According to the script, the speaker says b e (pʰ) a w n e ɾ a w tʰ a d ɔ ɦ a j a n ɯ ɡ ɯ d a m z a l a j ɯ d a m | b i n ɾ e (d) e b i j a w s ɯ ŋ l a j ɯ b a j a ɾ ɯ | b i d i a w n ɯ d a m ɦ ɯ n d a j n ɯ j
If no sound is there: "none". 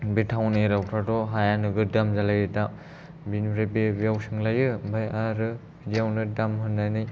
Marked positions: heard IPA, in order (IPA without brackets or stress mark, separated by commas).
tʰ, b